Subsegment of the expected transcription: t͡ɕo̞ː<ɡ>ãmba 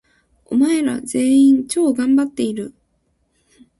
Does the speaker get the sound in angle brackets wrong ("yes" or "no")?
no